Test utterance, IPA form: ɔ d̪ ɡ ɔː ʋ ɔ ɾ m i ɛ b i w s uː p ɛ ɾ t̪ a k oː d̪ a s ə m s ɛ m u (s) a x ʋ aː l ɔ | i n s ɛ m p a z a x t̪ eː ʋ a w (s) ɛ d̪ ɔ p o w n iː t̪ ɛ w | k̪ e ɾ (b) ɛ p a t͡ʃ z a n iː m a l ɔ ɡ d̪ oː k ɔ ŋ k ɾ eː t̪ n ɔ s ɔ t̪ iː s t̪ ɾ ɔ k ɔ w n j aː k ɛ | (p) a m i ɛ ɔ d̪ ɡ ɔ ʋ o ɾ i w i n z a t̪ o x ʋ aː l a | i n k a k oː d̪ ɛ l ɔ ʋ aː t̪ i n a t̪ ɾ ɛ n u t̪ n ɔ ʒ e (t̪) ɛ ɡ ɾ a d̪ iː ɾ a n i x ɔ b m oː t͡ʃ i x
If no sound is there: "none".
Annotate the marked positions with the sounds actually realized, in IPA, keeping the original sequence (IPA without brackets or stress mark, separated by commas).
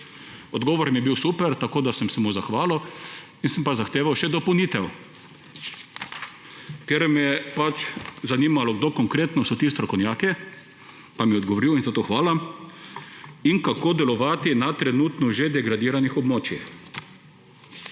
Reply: z, ʃ, m, p, d̪